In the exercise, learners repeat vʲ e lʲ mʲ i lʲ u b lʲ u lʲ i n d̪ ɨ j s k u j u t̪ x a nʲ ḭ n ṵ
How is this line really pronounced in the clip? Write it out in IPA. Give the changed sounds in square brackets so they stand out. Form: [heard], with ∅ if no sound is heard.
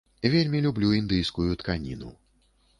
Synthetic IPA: vʲ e lʲ mʲ i lʲ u b lʲ u [∅] i n d̪ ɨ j s k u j u t̪ [k] a nʲ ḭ n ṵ